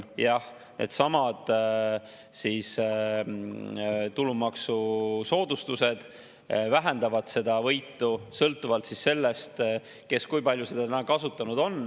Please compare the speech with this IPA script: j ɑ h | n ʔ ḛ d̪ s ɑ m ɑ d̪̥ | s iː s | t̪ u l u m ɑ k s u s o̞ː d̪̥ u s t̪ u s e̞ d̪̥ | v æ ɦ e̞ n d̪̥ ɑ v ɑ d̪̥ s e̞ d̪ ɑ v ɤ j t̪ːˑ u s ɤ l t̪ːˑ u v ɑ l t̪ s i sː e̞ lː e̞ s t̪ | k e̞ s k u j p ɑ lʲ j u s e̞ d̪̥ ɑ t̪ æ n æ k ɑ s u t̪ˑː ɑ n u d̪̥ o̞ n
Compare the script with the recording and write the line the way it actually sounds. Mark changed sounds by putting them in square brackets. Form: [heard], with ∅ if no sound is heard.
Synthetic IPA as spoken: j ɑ h | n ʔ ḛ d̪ s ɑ m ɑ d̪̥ | s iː s | t̪ u l u m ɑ k s u s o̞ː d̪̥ u s t̪ u s e̞ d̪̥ | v æ ɦ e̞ n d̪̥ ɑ v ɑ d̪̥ s e̞ d̪ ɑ v ɤ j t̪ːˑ u s ɤ l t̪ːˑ u v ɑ l t̪ s i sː e̞ lː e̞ s t̪ | k e̞ s k u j p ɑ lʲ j u s e̞ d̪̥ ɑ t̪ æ n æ k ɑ s u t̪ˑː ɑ n u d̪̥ o̞ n